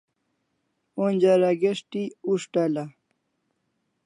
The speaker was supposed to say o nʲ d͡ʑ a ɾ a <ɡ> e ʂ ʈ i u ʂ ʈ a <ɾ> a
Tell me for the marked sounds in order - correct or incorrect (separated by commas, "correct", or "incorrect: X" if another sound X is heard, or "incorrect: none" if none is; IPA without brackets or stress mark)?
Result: correct, incorrect: l